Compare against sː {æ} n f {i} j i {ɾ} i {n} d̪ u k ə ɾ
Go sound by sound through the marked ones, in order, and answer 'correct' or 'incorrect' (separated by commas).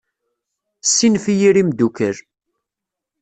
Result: incorrect, correct, correct, incorrect